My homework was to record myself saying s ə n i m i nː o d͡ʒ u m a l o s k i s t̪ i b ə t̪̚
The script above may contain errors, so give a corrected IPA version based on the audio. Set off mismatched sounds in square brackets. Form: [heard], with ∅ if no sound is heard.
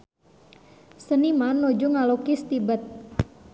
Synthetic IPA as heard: s ə n i m [a] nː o d͡ʒ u [ŋ] a l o [∅] k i s t̪ i b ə t̪̚